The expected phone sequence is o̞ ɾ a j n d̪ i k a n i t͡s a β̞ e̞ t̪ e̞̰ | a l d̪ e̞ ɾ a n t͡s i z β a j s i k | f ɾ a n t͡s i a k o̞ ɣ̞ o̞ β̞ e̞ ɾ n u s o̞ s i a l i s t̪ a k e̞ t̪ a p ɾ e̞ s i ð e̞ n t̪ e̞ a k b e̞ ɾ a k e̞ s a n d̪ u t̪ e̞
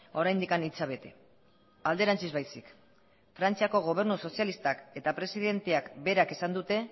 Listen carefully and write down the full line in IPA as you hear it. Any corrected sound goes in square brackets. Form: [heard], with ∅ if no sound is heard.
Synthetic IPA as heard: o̞ ɾ a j n d̪ i k a n i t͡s a β̞ e̞ t̪ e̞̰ | a l d̪ e̞ ɾ a n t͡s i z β a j s i k | f ɾ a n t͡s i a k o̞ ɣ̞ o̞ β̞ e̞ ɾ n u s o̞ s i a l i s t̪ a k e̞ t̪ a p ɾ e̞ s i ð e̞ n t̪ e̞ a k b e̞ ɾ a k e̞ s a n d̪ u t̪ e̞